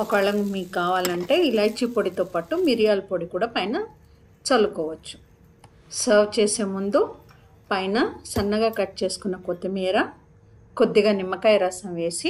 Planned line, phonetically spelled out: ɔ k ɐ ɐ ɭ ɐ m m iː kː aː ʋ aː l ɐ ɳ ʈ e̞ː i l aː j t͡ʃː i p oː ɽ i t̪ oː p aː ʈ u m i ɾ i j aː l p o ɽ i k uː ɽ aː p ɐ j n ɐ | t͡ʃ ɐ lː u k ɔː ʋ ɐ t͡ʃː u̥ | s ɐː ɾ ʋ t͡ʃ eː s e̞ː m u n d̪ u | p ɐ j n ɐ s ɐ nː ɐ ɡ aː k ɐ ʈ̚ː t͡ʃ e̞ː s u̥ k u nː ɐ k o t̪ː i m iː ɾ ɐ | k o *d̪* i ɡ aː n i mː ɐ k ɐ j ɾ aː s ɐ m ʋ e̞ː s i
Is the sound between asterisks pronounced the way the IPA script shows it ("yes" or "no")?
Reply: no